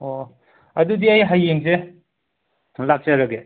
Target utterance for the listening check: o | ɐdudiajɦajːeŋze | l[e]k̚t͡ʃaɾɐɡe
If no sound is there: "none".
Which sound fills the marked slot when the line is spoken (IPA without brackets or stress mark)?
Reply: a